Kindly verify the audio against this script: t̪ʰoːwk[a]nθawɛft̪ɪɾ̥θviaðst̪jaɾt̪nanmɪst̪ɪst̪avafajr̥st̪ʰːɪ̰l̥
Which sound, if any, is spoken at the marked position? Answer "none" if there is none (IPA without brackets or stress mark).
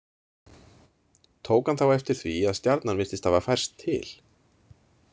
a